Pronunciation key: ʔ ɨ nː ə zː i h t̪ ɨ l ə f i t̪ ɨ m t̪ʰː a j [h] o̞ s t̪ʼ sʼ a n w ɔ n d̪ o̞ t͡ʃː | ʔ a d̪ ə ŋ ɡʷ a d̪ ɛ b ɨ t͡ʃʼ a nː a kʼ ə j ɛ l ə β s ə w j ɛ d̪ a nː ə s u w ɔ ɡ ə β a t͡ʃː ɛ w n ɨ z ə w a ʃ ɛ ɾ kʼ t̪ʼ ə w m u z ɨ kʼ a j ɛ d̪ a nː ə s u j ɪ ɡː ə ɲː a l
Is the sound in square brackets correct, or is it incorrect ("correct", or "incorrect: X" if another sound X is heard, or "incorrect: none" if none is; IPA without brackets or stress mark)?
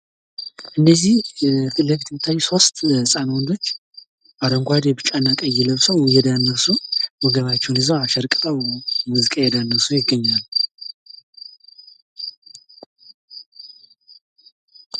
incorrect: s